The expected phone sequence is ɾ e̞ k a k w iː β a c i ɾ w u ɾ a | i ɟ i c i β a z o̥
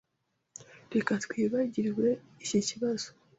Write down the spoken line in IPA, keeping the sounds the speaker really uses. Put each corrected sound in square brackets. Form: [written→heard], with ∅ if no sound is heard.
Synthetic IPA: ɾ e̞ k a [k→t] w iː β a [c→ɟ] i ɾ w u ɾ [a→e] | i [ɟ→c] i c i β a z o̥